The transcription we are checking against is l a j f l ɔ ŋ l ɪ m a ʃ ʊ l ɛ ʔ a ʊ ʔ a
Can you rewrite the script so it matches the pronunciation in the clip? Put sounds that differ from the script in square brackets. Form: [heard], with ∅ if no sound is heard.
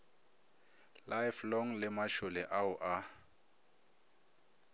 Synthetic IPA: l a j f l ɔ ŋ l ɪ m a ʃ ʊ l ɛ ʔ a ʊ ʔ a